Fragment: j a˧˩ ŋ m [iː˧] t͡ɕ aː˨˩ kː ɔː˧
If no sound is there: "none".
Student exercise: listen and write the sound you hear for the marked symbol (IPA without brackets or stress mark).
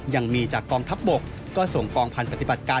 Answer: iː˧